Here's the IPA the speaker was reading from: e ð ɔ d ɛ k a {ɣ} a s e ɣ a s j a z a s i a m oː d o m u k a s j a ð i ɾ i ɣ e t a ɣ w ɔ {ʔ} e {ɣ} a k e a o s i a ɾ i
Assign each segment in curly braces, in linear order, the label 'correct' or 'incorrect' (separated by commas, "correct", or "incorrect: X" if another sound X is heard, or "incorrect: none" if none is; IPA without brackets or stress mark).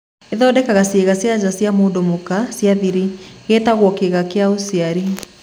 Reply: correct, incorrect: k, correct